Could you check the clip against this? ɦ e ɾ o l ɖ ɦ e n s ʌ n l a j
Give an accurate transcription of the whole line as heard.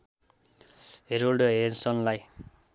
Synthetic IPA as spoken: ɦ e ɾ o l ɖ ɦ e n s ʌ n l a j